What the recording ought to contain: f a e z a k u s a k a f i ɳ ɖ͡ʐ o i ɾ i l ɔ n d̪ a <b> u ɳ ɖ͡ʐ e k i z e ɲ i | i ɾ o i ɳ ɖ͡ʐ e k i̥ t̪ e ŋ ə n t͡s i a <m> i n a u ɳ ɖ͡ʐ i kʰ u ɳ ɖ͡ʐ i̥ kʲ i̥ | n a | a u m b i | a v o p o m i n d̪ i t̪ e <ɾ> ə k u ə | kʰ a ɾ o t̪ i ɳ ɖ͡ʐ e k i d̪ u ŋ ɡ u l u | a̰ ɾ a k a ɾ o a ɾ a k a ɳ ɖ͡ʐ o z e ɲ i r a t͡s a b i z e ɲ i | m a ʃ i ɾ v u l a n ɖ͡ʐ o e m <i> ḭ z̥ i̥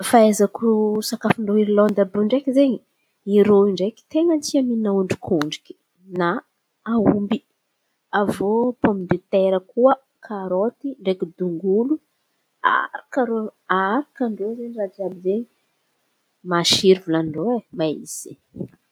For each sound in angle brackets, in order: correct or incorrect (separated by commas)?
correct, correct, correct, incorrect